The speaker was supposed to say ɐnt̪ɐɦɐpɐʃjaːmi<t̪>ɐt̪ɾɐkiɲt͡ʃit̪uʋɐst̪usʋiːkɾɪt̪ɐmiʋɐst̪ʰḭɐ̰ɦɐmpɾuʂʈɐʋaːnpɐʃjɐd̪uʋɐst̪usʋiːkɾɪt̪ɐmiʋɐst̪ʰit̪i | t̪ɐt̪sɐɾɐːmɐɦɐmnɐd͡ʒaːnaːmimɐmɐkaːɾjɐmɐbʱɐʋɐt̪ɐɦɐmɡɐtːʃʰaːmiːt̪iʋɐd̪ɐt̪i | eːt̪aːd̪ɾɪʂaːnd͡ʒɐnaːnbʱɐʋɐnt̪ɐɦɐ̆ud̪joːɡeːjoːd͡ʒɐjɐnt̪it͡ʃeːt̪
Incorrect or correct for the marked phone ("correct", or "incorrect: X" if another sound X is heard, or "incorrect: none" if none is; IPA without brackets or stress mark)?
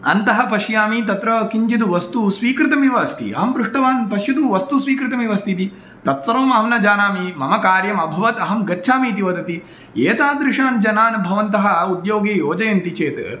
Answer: correct